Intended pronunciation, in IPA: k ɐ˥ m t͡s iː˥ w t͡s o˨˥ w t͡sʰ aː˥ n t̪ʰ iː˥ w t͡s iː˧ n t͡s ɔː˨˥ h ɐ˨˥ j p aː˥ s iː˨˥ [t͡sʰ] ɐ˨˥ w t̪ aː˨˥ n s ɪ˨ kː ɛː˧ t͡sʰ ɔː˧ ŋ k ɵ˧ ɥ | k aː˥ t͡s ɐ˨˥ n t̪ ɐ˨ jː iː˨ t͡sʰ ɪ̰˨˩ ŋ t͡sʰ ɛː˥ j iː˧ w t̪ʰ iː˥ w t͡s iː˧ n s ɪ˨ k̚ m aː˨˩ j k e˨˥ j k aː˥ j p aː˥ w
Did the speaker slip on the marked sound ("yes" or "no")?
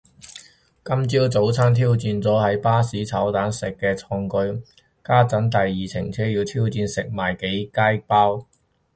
no